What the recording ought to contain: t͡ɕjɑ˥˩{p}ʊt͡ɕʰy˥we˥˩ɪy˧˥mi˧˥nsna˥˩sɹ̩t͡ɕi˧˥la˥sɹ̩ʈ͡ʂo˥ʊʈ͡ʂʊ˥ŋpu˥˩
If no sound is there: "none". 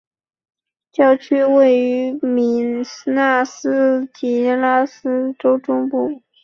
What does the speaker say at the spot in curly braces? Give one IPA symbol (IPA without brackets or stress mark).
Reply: none